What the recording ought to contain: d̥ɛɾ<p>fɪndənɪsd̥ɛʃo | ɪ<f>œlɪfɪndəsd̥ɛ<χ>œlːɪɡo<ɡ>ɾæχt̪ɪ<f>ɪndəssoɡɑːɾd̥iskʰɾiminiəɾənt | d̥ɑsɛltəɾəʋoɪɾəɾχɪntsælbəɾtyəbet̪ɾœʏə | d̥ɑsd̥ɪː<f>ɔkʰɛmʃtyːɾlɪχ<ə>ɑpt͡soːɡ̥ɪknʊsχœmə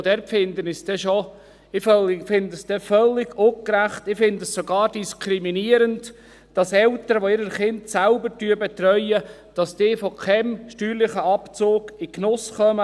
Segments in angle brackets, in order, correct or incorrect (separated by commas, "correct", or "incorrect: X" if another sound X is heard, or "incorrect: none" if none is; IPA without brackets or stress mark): correct, correct, incorrect: f, incorrect: k, correct, correct, correct